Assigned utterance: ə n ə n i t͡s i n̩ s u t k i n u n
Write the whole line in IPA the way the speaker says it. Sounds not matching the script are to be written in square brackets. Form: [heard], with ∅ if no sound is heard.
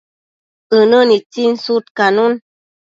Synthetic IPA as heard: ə n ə n i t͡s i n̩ s u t k [a] n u n